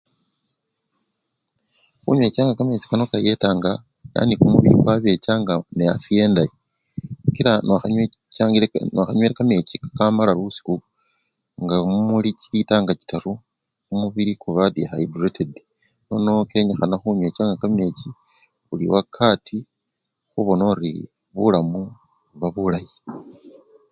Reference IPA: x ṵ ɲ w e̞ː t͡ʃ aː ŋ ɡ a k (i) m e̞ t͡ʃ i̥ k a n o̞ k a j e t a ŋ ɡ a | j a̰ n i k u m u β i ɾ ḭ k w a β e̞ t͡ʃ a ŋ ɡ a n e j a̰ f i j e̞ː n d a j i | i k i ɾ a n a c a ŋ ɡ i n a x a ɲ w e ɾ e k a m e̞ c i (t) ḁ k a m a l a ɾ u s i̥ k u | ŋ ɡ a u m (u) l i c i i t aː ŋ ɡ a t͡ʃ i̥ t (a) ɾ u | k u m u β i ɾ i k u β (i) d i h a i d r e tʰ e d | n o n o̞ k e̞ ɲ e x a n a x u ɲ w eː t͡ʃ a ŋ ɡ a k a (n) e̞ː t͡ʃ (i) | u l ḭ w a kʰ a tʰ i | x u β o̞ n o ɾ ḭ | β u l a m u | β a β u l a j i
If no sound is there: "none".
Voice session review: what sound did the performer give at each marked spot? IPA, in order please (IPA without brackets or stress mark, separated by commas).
a, k, u, a, a, m, i